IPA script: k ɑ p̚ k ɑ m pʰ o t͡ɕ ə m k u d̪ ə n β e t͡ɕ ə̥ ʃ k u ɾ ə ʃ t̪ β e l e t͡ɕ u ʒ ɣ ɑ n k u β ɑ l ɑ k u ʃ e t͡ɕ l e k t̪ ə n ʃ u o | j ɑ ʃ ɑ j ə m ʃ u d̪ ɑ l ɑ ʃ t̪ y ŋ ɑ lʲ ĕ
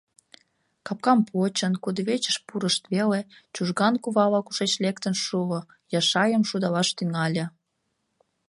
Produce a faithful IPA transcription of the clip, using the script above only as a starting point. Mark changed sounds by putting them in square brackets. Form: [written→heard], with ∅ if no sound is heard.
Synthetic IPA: k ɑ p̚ k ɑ m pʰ o t͡ɕ ə [m→n] k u d̪ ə [n→∅] β e t͡ɕ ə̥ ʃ [k→p] u ɾ ə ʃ t̪ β e l e t͡ɕ u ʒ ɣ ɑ n k u β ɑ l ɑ k u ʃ e t͡ɕ l e k t̪ ə n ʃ u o | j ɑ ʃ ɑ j ə m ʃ u d̪ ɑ l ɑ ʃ t̪ y ŋ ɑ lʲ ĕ